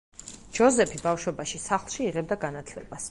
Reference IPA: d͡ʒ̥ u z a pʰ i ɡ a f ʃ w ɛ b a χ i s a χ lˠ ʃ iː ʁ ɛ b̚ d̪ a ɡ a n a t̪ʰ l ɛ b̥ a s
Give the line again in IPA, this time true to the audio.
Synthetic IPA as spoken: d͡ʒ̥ ɔ z ɛ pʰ i b a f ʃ w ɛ b a ʃ i s a χ lˠ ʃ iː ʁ ɛ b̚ d̪ a ɡ a n a t̪ʰ l ɛ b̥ a s